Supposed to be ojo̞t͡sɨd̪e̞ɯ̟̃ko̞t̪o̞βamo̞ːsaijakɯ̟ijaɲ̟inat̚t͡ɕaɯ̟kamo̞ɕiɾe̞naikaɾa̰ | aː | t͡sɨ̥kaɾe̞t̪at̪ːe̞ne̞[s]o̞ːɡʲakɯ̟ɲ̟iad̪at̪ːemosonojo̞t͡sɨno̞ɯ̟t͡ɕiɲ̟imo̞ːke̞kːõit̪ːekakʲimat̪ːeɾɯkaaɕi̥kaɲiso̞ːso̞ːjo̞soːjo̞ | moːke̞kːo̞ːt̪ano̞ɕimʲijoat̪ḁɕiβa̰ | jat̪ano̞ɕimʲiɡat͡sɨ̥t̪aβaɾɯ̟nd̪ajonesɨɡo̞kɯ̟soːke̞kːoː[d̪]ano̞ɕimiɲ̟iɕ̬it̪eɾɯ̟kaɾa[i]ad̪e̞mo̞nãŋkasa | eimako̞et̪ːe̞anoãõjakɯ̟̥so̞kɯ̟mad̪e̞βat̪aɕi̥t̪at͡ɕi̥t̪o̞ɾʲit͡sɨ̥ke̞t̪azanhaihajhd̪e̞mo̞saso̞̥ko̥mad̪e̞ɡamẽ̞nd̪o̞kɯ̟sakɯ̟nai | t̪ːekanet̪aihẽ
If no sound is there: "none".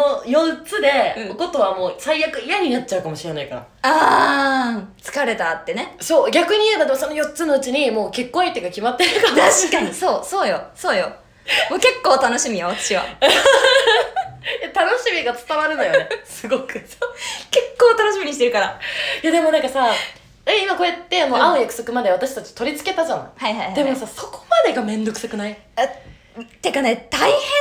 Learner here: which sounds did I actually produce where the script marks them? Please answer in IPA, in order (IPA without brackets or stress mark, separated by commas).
s, t̪, j